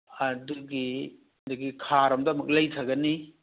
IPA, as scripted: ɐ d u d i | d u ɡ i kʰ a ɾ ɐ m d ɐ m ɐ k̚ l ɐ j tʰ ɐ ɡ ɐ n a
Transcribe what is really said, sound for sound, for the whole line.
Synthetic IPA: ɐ d u ɡ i | d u ɡ i kʰ a ɾ ɐ m d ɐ m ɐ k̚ l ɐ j tʰ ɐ ɡ ɐ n i

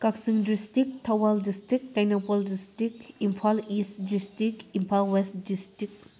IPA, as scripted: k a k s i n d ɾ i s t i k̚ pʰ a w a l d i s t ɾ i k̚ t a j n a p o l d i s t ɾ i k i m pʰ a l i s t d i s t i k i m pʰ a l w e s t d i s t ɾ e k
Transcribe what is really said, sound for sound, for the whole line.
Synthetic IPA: k a k s i ŋ d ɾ i s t i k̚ tʰ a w a l d i s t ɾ i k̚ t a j n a p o l d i s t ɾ i k i m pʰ a l i s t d i s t i k i m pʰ a l w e s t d i s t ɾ i k

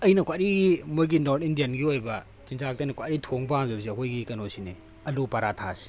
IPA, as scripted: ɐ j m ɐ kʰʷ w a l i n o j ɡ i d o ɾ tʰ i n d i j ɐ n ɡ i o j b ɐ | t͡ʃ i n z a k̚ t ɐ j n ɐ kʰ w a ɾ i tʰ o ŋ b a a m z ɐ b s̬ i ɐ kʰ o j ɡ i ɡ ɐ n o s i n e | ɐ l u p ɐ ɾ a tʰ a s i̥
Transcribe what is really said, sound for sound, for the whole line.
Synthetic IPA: ɐ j n ɐ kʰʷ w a ɾ i m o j ɡ i n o ɾ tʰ i n d i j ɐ n ɡ i o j b ɐ | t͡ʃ i n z a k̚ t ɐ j n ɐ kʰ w a ɾ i tʰ o ŋ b a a m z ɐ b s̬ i ɐ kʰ o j ɡ i k ɐ n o s i n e | ɐ l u p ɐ ɾ a tʰ a s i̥

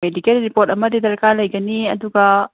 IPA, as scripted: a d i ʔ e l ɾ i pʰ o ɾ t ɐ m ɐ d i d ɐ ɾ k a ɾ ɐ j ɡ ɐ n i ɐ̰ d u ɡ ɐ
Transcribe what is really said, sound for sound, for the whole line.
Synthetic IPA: e d i k e l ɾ i p o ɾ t ɐ m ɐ d i d ɐ ɾ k a l ɐ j ɡ ɐ n i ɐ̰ d u ɡ ɐ

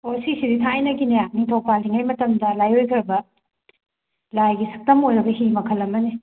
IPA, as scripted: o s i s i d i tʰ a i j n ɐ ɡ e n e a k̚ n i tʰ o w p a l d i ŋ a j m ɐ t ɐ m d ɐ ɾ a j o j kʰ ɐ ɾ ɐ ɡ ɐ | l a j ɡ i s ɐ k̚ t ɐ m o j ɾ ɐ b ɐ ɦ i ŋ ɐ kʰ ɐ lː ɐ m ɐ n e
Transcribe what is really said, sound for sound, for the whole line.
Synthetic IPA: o s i s i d i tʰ a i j n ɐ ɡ i n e a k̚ n i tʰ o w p a l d i ŋ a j m ɐ t ɐ m d ɐ l a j o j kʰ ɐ ɾ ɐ b ɐ | l a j ɡ i s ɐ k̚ t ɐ m o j ɾ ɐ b ɐ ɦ i m ɐ kʰ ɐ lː ɐ m ɐ n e

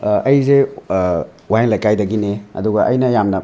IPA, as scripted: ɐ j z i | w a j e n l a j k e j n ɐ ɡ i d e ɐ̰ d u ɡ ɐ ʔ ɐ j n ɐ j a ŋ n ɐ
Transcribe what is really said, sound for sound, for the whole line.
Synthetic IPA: ɐ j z e | w a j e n l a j k a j d ɐ ɡ i n e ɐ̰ d u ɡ ɐ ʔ ɐ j n ɐ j a m n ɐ

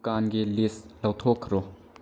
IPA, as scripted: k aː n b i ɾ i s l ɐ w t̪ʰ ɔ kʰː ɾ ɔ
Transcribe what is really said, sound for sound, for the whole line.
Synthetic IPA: k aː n ɡ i l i s l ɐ w t̪ʰ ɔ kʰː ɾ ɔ

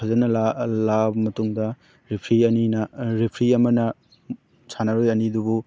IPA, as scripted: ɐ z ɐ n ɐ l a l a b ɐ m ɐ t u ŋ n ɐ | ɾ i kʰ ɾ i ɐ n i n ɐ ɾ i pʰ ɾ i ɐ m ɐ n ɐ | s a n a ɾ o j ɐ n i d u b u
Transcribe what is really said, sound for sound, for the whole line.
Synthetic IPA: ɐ z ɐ n ɐ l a l a b ɐ m ɐ t u ŋ d ɐ | ɾ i pʰ ɾ i ɐ n i n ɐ ɾ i pʰ ɾ i ɐ m ɐ n ɐ | s a n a ɾ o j ɐ n i d u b u

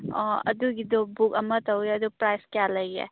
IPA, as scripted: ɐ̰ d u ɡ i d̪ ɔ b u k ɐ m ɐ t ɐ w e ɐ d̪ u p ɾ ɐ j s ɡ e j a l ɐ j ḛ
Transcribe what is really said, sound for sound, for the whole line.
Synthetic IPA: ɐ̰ d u ɡ i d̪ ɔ b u k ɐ m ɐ t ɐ w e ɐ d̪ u p ɾ a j s k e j a l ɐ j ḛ

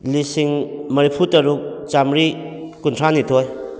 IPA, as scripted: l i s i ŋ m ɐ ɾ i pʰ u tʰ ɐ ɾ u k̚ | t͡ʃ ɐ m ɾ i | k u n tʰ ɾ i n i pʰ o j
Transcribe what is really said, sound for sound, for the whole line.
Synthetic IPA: l i s i ŋ m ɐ ɾ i pʰ u t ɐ ɾ u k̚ | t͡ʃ a m ɾ i | k u n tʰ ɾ a n i tʰ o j

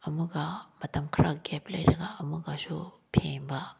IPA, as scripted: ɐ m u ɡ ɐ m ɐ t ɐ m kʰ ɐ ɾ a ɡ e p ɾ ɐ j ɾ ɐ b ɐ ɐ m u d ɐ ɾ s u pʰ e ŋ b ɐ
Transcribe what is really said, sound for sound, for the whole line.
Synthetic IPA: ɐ m u ɡ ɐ m ɐ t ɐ m kʰ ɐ ɾ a ɡ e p l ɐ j ɾ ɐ ɡ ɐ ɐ m u ɡ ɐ s u pʰ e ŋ b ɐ

